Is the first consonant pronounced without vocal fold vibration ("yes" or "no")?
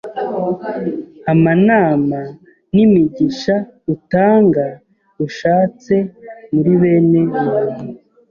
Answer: no